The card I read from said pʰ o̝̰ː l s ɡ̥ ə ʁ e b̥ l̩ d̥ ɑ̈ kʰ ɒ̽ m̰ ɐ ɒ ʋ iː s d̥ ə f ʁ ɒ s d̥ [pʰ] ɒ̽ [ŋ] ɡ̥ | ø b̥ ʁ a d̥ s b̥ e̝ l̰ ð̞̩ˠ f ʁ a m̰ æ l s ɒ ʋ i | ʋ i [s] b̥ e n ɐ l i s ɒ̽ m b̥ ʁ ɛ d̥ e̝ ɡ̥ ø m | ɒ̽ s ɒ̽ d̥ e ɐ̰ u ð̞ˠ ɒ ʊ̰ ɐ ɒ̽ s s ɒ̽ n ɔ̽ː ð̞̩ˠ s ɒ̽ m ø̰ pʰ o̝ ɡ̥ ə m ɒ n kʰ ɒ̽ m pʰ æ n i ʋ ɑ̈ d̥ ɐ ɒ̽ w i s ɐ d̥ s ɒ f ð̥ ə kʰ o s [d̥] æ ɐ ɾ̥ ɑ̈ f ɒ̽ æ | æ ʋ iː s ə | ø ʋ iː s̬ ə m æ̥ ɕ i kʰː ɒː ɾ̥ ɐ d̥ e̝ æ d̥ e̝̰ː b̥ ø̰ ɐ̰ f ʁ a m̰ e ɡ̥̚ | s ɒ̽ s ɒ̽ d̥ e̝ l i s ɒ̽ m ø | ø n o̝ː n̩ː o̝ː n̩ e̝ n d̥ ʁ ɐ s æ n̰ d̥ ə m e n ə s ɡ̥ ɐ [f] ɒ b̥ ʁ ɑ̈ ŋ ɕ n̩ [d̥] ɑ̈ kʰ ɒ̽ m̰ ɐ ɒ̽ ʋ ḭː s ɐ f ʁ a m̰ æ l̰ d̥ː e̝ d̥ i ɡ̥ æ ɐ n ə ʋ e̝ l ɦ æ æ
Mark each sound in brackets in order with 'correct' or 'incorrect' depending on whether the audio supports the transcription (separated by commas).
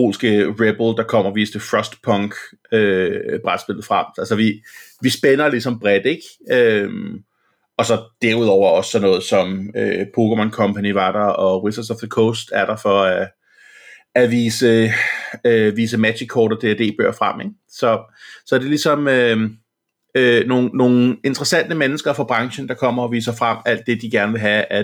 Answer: correct, correct, correct, correct, correct, correct